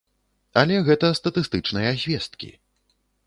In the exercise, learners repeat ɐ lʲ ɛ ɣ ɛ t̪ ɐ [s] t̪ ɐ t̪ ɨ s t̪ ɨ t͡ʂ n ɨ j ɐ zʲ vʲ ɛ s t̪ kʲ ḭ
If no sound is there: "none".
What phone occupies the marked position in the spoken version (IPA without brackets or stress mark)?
s